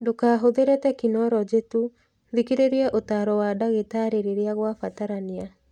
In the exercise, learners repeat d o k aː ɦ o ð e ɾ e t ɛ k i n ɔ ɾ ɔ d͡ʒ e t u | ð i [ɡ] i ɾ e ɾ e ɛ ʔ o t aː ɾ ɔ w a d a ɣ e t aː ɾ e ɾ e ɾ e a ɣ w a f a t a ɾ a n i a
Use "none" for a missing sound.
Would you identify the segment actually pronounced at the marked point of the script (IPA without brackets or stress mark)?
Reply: k